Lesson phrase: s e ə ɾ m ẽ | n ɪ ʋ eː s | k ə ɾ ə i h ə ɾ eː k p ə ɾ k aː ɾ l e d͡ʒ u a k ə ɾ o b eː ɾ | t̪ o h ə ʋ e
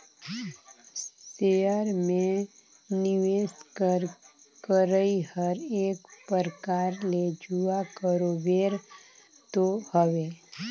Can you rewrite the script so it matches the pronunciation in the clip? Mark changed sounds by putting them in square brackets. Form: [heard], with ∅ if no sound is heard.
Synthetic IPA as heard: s e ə ɾ m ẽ | n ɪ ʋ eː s | k ə ɾ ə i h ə ɾ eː k p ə ɾ k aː ɾ l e d͡ʒ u a k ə ɾ o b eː ɾ | t̪ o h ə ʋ e